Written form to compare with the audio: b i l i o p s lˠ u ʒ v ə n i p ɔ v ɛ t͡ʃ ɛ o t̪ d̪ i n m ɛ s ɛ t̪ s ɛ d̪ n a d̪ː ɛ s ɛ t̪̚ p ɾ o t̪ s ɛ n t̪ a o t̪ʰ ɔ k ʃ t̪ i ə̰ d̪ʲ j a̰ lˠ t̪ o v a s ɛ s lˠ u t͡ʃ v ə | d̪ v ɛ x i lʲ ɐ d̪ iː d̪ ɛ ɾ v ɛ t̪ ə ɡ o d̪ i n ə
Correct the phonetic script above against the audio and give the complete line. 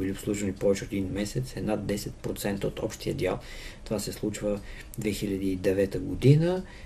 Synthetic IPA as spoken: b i l i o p s lˠ u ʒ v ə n i p ɔ v ɛ t͡ʃ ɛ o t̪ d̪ i n m ɛ s ɛ t̪ s ɛ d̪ n a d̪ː ɛ s ɛ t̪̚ p ɾ o t̪ s ɛ n t̪ ə o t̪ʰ ɔ p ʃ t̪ i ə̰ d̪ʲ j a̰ lˠ t̪ o v a s ɛ s lˠ u t͡ʃ v ə | d̪ v ɛ x i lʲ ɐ d̪ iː d̪ ɛ v ɛ t̪ ə ɡ o d̪ i n ə